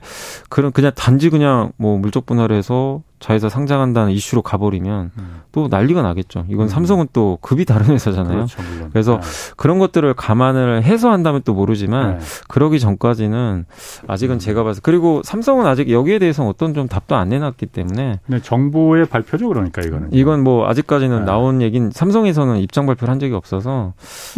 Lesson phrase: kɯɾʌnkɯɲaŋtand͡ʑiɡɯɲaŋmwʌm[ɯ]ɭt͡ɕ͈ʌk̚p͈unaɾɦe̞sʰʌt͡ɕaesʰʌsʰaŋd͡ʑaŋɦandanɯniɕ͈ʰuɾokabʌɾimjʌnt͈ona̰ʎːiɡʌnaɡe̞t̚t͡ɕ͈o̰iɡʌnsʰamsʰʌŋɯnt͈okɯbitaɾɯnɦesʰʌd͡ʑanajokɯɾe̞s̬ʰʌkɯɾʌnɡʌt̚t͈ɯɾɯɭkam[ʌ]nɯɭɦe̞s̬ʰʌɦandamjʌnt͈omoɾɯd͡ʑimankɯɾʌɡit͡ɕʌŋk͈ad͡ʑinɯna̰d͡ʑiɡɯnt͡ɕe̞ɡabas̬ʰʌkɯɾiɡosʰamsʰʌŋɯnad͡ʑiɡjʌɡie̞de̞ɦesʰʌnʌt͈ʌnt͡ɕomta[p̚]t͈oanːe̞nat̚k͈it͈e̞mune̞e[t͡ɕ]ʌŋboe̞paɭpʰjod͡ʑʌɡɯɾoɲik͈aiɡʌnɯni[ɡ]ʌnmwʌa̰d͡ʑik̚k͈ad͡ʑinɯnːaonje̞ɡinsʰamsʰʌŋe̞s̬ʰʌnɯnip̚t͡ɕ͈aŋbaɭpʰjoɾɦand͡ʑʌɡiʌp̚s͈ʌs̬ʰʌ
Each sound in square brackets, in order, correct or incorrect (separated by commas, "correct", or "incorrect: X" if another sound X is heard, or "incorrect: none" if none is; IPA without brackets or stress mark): incorrect: u, incorrect: a, correct, correct, correct